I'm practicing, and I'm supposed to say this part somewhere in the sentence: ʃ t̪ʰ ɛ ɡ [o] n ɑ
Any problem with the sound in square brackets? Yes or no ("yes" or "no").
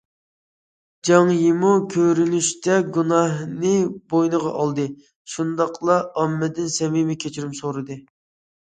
yes